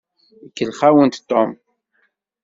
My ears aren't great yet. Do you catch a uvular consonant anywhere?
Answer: yes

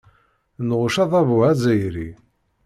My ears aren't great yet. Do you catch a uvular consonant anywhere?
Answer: yes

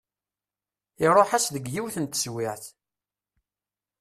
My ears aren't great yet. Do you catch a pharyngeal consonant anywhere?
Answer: yes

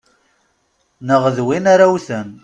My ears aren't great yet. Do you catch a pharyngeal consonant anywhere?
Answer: no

